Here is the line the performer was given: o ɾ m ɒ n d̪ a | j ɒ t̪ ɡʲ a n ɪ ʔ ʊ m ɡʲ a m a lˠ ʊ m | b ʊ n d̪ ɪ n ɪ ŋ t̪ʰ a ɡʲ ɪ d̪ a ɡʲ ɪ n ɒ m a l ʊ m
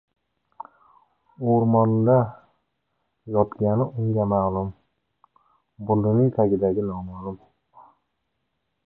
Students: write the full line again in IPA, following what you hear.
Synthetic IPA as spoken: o ɾ m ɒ n d̪ a | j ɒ t̪ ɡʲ a n ɪ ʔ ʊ ŋ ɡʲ a m a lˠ ʊ m | b ʊ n d̪ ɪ n ɪ ŋ t̪ʰ a ɡʲ ɪ d̪ a ɡʲ ɪ n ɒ m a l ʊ m